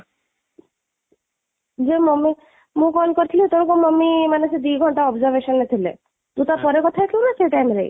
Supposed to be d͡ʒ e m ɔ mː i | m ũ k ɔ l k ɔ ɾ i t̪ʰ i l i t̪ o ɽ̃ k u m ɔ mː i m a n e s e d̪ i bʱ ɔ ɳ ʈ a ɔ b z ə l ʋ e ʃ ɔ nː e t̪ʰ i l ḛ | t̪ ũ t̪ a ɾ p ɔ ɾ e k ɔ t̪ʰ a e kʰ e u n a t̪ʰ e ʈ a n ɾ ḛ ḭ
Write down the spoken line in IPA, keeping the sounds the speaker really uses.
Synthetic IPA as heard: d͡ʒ e m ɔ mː i | m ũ k ɔ l k ɔ ɾ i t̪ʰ i l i t̪ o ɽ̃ k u m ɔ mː i m a n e s e d̪ i ɡʱ ɔ ɳ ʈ a ɔ b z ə ɾ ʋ e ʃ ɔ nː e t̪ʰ i l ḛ | t̪ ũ t̪ a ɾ p ɔ ɾ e k ɔ t̪ʰ a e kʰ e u n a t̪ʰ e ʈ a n ɾ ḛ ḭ